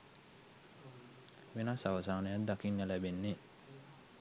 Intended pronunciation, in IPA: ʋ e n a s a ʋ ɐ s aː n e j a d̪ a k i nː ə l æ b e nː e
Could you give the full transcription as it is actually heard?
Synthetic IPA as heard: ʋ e n a s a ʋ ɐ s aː n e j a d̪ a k i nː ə l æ b e nː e